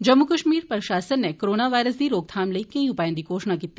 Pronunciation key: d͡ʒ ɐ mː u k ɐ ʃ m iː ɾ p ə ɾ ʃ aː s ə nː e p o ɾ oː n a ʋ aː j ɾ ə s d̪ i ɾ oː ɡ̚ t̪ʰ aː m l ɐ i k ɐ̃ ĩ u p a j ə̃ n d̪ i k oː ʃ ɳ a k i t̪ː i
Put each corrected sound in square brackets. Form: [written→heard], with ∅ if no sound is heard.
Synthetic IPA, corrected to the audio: d͡ʒ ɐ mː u k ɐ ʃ m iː ɾ p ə ɾ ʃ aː s ə nː e [p→k] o ɾ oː n a ʋ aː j ɾ ə s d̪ i ɾ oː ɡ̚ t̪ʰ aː m l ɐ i k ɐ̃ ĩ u p a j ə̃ n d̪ i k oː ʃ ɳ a k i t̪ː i

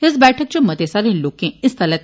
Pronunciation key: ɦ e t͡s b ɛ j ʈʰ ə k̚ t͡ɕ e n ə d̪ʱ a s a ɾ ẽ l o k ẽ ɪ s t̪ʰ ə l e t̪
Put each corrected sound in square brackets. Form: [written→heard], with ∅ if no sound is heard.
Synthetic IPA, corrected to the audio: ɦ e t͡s b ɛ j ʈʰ ə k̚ t͡ɕ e [n→m] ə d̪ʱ [a→e] s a ɾ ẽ l o k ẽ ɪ s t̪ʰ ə l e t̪

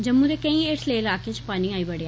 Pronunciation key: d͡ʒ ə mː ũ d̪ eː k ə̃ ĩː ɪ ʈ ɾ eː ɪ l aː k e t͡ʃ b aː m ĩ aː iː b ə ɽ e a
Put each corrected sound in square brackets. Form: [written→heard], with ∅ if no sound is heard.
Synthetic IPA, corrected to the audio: d͡ʒ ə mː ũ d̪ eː k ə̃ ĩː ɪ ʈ [ɾ→l] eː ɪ l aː k e t͡ʃ [b→p] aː [m→n] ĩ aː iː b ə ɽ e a

